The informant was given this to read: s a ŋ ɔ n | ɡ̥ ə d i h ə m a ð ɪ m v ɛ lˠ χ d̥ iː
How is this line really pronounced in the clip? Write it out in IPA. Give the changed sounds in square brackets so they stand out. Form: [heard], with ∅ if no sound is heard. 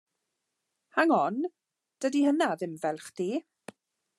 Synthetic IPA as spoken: [h] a ŋ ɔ n | [d̥] ə d i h ə [n] a ð ɪ m v ɛ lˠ χ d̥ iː